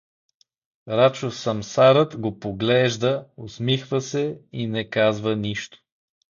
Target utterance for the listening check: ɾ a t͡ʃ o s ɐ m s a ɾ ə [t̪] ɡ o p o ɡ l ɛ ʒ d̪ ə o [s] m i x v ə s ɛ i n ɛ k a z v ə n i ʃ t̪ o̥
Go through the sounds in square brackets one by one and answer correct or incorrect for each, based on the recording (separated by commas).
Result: correct, correct